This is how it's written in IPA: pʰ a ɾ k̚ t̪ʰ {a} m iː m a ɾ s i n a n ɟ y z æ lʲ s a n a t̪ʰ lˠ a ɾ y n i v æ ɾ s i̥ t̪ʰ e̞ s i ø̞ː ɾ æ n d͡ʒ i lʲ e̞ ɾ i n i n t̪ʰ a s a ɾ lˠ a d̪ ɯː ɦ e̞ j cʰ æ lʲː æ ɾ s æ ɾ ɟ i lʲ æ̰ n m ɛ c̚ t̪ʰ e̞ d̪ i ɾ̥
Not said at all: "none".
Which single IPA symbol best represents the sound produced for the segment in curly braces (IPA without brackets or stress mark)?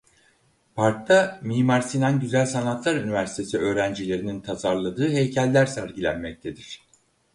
a